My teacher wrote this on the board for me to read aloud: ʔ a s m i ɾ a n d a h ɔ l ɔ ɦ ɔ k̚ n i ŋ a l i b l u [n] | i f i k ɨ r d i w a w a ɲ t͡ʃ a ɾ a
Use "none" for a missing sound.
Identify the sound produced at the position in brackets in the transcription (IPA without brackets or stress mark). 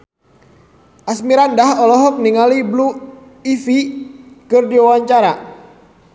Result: none